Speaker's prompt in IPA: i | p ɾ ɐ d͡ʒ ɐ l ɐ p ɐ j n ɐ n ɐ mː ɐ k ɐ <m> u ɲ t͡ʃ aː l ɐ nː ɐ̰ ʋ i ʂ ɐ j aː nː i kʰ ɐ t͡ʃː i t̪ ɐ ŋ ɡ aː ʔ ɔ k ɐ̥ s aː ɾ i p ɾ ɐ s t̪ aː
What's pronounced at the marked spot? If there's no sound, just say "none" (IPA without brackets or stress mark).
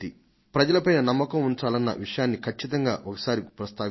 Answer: m